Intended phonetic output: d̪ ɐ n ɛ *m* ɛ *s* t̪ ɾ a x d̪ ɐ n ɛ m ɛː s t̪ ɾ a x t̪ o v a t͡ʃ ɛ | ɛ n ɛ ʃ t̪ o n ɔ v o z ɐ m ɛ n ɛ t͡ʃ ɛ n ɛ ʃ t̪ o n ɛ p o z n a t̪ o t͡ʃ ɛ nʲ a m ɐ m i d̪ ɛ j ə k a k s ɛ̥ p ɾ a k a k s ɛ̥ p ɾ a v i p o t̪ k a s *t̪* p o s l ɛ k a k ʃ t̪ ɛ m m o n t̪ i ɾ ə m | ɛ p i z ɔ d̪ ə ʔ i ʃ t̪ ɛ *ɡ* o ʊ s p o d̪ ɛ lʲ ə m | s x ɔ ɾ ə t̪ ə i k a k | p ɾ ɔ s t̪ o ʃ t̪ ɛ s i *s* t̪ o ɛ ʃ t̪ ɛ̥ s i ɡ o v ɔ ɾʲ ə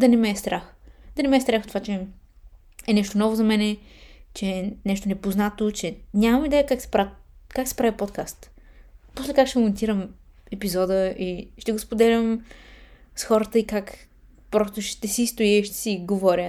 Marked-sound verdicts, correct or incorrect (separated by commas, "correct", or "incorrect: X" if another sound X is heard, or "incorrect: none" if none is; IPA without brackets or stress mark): correct, correct, correct, correct, correct